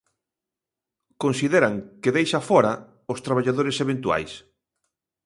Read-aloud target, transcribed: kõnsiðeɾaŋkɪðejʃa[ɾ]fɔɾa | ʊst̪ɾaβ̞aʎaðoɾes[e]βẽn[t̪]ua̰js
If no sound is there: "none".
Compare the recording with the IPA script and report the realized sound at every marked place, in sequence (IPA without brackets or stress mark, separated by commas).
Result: none, e, t̪